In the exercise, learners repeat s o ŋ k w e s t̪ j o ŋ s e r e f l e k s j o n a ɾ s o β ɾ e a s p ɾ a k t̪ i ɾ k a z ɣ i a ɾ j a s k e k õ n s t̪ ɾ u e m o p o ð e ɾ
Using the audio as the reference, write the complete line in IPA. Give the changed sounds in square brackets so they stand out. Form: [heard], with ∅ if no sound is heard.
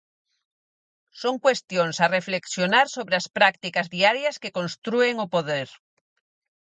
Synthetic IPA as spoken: s o ŋ k w e s t̪ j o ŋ s [a] r e f l e k s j o n a ɾ s o β ɾ e a s p ɾ a k t̪ i [∅] k a z [ð] i a ɾ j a s k e k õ n s t̪ ɾ u e [ŋ] o p o ð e ɾ